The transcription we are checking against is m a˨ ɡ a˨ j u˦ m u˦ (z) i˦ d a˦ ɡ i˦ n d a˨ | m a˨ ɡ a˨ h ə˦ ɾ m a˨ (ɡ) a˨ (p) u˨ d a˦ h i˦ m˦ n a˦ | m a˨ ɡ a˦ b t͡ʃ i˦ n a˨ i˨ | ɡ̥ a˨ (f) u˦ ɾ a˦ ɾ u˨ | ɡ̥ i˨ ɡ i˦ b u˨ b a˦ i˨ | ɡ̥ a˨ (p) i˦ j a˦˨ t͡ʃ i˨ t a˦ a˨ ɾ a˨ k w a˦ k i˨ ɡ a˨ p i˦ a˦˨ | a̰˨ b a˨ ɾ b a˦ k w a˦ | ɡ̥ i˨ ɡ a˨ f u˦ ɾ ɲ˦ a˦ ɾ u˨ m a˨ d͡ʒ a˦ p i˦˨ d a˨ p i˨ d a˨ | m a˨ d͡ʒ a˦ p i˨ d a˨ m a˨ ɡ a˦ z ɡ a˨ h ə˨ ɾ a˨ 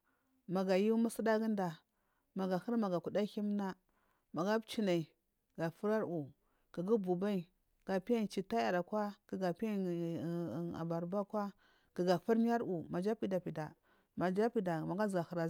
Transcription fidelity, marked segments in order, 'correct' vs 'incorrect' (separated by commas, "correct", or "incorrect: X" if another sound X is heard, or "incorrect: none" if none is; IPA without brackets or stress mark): incorrect: s, correct, incorrect: k, correct, correct